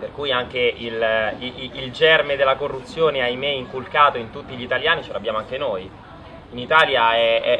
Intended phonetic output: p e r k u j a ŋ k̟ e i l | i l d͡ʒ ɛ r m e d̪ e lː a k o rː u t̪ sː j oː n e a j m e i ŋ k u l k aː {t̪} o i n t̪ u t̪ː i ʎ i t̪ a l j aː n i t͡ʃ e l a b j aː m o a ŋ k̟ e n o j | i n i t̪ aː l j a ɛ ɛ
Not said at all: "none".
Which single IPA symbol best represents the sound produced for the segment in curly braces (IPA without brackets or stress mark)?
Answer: t̪